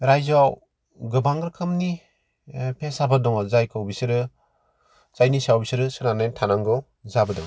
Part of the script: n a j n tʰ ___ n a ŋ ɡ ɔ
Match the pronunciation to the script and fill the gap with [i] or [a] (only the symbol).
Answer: a